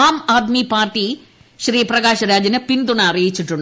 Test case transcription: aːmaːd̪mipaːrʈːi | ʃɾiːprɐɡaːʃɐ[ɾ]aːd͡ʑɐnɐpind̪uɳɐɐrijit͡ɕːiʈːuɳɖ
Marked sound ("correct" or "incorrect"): correct